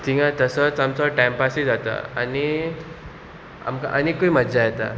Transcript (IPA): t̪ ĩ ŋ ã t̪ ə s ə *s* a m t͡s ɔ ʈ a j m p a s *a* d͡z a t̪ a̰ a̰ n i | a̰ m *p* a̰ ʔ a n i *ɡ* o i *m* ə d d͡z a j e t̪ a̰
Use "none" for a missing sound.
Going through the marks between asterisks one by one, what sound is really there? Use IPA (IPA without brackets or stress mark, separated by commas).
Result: t͡s, i, k, k, m